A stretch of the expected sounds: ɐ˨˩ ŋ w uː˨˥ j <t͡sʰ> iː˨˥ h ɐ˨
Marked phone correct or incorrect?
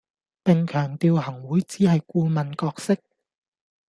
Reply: incorrect